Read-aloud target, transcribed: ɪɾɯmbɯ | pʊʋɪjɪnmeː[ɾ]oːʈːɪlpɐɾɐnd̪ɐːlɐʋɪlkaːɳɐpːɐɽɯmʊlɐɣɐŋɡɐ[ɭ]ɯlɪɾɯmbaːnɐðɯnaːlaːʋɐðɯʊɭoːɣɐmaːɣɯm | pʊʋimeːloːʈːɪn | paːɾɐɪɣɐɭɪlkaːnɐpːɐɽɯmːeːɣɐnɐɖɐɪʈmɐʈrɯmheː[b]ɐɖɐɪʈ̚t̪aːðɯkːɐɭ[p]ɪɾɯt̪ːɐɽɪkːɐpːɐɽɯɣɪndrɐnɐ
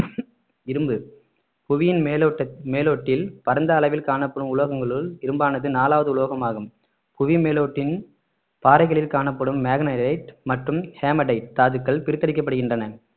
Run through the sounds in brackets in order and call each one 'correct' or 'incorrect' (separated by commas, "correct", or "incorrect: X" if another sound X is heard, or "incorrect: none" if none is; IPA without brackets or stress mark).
incorrect: l, correct, incorrect: m, correct